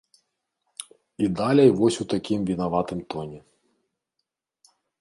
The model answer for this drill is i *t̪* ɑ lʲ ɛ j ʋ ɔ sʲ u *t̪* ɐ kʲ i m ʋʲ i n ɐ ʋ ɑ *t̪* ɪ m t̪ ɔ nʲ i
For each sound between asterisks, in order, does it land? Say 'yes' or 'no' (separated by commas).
no, yes, yes